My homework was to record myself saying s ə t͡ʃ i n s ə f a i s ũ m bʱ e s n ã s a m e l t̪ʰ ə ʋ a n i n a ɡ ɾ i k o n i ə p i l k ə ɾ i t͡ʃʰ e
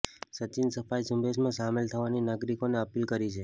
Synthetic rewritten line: s ə t͡ʃ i n s ə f a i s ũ m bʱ e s m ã s a m e l t̪ʰ ə ʋ a n i n a ɡ ɾ i k o n e ə p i l k ə ɾ i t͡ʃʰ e